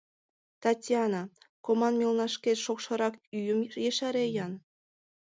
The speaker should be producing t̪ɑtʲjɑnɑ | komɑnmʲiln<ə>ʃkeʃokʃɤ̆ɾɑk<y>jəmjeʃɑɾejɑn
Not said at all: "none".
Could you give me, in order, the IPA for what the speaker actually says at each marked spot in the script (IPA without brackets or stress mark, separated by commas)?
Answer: ɑ, y